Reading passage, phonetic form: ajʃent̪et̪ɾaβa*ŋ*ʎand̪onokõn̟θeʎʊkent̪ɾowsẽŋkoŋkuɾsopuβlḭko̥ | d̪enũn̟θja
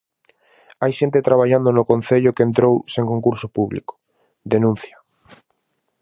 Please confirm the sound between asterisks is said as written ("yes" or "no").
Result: no